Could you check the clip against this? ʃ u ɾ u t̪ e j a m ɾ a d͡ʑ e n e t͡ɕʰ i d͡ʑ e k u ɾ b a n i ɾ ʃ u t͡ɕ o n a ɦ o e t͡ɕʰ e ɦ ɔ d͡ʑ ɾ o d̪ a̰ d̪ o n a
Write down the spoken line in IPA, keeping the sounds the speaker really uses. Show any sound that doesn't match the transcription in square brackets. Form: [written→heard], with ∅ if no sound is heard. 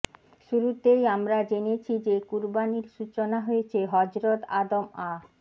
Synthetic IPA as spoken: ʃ u ɾ u t̪ e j a m ɾ a d͡ʑ e n e t͡ɕʰ i d͡ʑ e k u ɾ b a n i ɾ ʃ u t͡ɕ o n a ɦ o e t͡ɕʰ e ɦ ɔ d͡ʑ ɾ o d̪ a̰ d̪ o [n→m] a